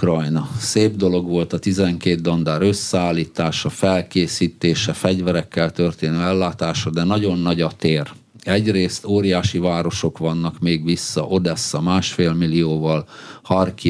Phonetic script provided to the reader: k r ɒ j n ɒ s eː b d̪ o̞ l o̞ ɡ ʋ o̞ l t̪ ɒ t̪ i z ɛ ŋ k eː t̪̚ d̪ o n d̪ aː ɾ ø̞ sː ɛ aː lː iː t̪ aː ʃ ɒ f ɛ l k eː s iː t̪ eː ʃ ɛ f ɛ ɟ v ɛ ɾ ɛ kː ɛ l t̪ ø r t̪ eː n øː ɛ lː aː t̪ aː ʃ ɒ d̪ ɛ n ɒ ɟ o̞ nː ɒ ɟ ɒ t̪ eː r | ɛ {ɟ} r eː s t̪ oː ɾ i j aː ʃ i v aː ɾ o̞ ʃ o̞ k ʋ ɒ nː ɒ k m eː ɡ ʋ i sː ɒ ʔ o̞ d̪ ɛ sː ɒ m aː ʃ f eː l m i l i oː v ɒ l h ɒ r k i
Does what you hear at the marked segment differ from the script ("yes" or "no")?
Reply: no